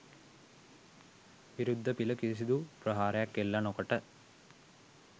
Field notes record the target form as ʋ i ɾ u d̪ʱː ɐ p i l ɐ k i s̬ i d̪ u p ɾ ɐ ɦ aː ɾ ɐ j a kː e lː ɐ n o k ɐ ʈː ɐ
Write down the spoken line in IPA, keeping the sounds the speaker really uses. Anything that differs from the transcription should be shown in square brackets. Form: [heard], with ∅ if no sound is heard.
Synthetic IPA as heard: ʋ i ɾ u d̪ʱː ɐ p i l ɐ k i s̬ i d̪ u p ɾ ɐ ɦ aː ɾ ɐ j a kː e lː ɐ n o k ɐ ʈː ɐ